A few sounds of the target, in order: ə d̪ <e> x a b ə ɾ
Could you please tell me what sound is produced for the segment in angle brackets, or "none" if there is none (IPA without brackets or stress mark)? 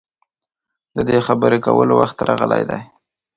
e